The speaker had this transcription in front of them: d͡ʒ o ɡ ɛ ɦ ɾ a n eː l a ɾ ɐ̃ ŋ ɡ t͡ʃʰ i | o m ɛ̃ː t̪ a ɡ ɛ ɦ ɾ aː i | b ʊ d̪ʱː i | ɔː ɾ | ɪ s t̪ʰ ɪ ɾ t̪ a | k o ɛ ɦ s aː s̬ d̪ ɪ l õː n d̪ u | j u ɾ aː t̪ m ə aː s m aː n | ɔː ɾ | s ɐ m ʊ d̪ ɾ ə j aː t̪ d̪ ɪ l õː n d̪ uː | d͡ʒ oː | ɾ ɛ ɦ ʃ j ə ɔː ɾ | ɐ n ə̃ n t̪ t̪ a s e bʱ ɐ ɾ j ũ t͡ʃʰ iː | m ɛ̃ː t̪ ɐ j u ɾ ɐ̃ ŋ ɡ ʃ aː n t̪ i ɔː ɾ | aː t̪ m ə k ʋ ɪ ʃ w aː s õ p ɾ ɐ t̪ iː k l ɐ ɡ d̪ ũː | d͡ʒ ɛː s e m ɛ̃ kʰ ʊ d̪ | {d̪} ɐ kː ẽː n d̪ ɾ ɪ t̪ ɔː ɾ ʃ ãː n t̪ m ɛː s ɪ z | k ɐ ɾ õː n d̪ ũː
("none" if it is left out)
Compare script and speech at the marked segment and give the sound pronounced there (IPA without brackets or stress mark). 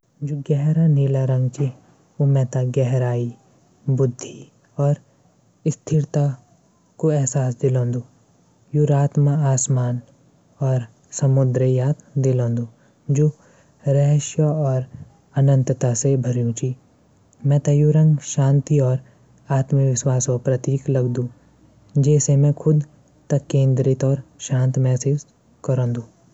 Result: t̪